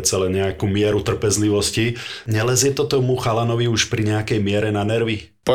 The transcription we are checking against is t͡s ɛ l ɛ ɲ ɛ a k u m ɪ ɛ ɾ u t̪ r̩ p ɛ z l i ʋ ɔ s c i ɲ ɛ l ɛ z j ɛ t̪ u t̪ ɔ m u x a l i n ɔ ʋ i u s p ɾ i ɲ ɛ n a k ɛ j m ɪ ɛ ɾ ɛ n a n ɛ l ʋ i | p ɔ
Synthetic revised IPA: t͡s ɛ l ɛ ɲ ɛ a k u m ɪ ɛ ɾ u t̪ r̩ p ɛ z l i ʋ ɔ s c i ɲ ɛ l ɛ z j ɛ t̪ ɔ t̪ ɔ m u x a l a n ɔ ʋ i u ʃ p ɾ i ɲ ɛ a k ɛ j m ɪ ɛ ɾ ɛ n a n ɛ ɾ ʋ i | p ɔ